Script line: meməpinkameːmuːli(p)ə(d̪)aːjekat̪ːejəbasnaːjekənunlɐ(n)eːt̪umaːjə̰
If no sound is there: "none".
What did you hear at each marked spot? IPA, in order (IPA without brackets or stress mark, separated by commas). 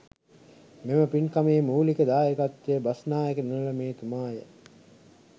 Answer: k, d̪, m